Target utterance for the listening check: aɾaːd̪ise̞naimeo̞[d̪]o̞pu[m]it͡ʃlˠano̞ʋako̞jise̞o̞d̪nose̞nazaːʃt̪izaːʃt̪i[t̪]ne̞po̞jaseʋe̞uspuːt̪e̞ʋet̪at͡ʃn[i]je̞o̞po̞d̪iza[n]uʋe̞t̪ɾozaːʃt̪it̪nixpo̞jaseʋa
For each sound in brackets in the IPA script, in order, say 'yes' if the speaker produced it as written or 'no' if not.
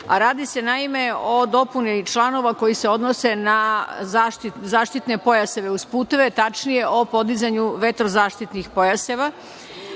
yes, no, yes, yes, no

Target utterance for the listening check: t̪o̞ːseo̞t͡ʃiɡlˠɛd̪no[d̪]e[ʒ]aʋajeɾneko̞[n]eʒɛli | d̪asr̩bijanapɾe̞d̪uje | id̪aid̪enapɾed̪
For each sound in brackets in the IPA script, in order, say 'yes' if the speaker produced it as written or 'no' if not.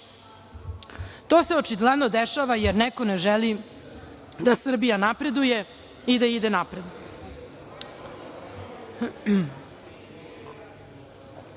yes, no, yes

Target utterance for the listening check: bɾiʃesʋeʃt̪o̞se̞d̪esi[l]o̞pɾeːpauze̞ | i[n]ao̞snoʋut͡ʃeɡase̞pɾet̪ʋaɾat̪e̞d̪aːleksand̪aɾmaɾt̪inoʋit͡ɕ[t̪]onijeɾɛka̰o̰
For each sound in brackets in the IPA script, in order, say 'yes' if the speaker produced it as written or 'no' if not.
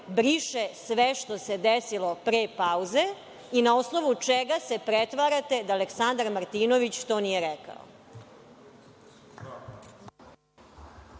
yes, yes, yes

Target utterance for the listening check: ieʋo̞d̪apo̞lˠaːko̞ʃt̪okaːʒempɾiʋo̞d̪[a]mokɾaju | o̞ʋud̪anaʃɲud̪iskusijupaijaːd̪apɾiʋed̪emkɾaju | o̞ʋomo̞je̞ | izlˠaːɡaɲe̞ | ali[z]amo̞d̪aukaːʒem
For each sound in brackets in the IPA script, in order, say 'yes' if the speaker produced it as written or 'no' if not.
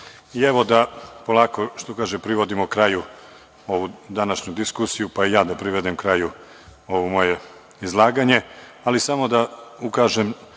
no, no

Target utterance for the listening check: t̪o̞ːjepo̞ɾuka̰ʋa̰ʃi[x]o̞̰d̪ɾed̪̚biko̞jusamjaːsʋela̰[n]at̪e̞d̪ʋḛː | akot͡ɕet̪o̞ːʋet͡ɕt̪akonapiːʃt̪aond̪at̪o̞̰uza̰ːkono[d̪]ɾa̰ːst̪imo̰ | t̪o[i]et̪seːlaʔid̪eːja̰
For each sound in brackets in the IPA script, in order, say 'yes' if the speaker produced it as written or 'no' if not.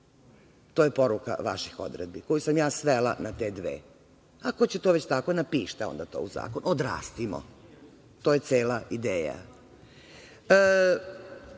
yes, yes, yes, no

